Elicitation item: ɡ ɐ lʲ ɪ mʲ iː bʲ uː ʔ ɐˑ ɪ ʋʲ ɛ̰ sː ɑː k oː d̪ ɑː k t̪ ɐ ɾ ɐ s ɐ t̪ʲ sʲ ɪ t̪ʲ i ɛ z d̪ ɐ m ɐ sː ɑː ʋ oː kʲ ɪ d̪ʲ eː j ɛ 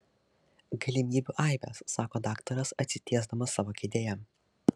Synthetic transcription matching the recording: ɡ ɐ lʲ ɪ mʲ iː bʲ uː ʔ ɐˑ ɪ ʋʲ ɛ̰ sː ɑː k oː d̪ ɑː k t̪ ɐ ɾ ɐ s ɐ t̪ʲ sʲ ɪ t̪ʲ i ɛ z d̪ ɐ m ɐ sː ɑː ʋ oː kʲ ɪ d̪ʲ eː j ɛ